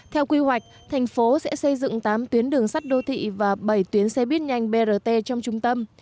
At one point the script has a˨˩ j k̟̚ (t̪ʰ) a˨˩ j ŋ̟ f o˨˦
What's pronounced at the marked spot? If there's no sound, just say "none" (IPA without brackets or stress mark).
t̪ʰ